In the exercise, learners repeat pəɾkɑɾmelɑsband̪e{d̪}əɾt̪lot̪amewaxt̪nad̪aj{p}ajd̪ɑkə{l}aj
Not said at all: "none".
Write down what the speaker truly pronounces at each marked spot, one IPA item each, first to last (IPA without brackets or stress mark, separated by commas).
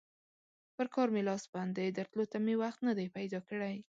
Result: d̪, p, ɽ